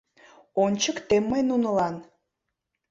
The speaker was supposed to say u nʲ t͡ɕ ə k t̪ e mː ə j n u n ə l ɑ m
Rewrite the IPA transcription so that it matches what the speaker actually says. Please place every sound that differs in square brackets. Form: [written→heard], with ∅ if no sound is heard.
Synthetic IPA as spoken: [u→o] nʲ t͡ɕ ə k t̪ e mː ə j n u n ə l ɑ [m→n]